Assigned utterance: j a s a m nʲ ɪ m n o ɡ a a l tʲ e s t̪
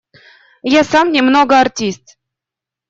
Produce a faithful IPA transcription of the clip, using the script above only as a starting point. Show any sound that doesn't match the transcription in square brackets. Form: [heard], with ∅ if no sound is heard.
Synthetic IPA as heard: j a s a m nʲ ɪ m n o ɡ [ə] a [r] tʲ [i] s t̪